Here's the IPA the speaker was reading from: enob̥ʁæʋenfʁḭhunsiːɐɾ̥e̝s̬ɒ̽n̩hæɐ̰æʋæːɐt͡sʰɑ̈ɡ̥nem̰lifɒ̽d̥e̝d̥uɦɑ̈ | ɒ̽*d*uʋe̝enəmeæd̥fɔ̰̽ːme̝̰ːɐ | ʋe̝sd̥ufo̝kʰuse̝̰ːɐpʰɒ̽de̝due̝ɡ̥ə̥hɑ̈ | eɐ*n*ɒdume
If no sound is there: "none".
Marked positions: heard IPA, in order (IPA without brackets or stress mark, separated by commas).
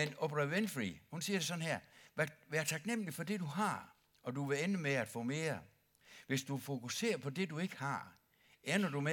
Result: d, n